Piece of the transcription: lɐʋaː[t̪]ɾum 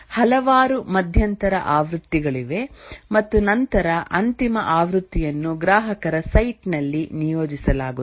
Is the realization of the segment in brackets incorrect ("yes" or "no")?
yes